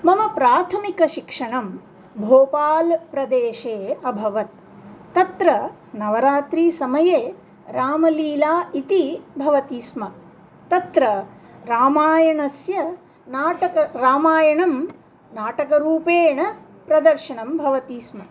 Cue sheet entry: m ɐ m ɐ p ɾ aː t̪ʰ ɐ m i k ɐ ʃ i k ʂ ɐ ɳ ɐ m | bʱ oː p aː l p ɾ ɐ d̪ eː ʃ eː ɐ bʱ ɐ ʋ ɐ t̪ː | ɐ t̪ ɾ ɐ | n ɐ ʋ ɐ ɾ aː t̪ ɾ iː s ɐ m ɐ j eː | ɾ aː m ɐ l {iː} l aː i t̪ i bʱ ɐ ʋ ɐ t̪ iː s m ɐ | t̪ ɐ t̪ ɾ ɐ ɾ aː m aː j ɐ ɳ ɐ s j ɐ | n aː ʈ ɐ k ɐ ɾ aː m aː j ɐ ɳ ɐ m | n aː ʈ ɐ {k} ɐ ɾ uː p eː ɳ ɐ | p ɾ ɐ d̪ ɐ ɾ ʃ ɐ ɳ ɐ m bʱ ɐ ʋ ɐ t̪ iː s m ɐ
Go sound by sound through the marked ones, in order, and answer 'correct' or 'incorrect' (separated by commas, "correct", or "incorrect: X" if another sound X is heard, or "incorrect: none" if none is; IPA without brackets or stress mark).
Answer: correct, correct